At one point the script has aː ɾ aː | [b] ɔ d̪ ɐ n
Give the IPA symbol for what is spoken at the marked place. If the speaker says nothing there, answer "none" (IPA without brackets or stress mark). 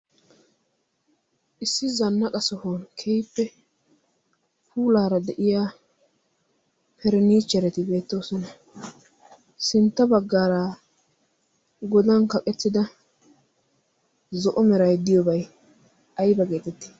ɡ